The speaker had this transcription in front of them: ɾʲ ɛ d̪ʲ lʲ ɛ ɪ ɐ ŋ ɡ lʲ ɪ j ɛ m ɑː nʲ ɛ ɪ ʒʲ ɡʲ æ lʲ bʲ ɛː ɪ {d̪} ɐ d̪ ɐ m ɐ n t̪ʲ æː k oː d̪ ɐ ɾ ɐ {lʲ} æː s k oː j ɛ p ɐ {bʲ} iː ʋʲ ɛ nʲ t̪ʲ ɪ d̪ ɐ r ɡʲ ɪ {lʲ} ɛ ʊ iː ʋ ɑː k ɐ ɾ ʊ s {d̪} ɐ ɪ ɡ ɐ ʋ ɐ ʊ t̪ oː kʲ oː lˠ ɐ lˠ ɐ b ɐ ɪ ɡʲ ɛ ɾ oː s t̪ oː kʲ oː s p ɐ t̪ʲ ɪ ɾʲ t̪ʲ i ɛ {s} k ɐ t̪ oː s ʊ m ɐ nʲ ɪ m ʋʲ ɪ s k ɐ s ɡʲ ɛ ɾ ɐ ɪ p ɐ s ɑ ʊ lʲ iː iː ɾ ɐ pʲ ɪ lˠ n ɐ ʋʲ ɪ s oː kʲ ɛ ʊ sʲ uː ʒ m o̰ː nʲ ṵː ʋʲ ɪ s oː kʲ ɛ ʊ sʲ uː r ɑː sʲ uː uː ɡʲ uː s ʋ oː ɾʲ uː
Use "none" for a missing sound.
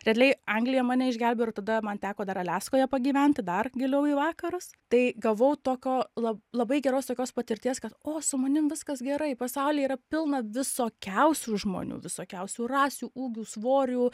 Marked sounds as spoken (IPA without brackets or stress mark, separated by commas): t̪, lʲ, ɡʲ, lʲ, t̪, s